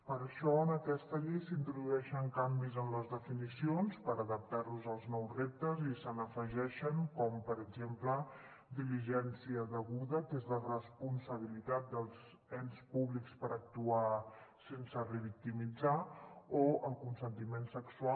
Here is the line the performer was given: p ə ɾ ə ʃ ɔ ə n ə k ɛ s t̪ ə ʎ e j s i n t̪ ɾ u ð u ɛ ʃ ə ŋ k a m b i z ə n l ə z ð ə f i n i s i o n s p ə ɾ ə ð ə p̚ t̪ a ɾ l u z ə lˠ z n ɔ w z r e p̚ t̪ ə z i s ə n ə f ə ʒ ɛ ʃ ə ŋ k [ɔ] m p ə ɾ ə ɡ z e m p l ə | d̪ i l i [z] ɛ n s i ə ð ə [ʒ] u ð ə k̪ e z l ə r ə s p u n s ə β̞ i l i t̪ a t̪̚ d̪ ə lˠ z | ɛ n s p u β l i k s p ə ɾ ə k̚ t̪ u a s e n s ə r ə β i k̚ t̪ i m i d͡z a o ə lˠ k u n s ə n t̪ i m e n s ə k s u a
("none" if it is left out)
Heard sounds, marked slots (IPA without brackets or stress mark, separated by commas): ɔ, ʒ, ɣ